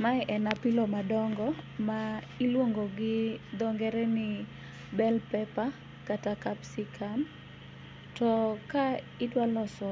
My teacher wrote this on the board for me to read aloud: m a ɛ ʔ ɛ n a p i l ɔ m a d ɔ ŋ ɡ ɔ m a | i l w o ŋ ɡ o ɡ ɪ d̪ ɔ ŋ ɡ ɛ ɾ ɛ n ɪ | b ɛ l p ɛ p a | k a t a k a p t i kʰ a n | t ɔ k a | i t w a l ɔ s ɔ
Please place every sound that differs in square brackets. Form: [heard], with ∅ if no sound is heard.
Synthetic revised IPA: m a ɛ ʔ ɛ n a p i l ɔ m a d ɔ ŋ ɡ ɔ m a | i l w o ŋ ɡ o ɡ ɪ d̪ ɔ ŋ ɡ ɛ ɾ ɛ n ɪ | b ɛ l p ɛ p a | k a t a k a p [s] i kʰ a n | t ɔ k a | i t w a l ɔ s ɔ